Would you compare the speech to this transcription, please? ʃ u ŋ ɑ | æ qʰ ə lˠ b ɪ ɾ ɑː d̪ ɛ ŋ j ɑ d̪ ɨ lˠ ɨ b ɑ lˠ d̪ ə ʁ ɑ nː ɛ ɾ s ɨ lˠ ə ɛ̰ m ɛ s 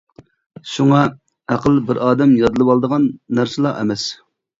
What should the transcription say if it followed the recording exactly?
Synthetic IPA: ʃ u ŋ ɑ | æ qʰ ə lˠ b ɪ ɾ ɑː d̪ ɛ m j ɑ d̪ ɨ lˠ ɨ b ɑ lˠ d̪ ə ʁ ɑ nː æ ɾ s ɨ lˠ ɑ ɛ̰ m ɛ s